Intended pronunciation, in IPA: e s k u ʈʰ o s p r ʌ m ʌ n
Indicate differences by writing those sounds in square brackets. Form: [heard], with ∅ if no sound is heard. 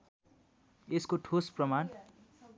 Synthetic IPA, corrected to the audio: e s k [o] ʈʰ o s p r ʌ m [a] n